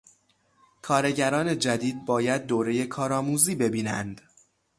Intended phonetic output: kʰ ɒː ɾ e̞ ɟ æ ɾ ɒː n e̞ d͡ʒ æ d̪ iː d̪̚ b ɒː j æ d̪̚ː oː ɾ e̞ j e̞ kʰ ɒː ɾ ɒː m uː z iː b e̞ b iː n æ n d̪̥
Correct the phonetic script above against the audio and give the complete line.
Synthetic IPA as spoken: kʰ ɒː ɾ e̞ ɟ æ ɾ ɒː n e̞ d͡ʒ æ d̪ iː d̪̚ b ɒː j æ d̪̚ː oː ɾ e̞ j e̞ kʰ ɒː ɾ ɒː m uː z iː b e̞ b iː n æ n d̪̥